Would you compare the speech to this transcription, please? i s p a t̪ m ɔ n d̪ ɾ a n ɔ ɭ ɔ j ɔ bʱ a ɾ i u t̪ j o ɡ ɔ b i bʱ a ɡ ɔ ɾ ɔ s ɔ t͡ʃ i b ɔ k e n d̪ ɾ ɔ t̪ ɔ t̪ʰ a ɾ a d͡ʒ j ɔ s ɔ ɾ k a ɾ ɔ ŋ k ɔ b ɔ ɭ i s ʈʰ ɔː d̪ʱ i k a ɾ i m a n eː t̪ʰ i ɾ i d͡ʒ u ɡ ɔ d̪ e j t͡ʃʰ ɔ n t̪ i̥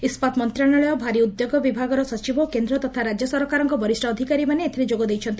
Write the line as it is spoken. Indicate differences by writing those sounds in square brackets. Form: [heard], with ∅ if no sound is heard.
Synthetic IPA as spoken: i s p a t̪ m ɔ n [t̪] ɾ a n ɔ ɭ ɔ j ɔ bʱ a ɾ i u [d̪] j o ɡ ɔ b i bʱ a ɡ ɔ ɾ ɔ s ɔ t͡ʃ i b ɔ k e n d̪ ɾ ɔ t̪ ɔ t̪ʰ a ɾ a d͡ʒ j ɔ s ɔ ɾ k a ɾ ɔ ŋ k ɔ b ɔ [ɾ] i s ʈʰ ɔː d̪ʱ i k a ɾ i m a n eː t̪ʰ i ɾ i d͡ʒ [o] ɡ ɔ d̪ e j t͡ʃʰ ɔ n t̪ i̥